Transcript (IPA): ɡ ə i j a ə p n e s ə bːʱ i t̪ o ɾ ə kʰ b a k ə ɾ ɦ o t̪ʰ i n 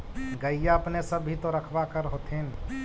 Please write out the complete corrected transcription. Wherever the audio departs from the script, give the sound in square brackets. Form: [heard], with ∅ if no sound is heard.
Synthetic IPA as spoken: ɡ ə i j a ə p n e s ə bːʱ i t̪ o ɾ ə kʰ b a k ə ɾ ɦ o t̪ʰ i n